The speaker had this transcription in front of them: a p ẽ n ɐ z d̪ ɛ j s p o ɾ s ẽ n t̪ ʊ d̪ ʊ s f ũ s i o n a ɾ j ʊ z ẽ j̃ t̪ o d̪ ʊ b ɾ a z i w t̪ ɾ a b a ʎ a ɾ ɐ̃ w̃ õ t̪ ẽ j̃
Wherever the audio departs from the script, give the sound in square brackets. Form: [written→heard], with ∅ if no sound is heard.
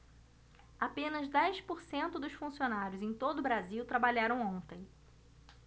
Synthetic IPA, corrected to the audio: a p ẽ n ɐ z d̪ ɛ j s p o ɾ s ẽ n t̪ ʊ d̪ ʊ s f ũ s i o n a ɾ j ʊ z ẽ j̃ t̪ o d̪ ʊ b ɾ a z i w t̪ ɾ a b a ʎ a ɾ ɐ̃ w̃ õ t̪ ẽ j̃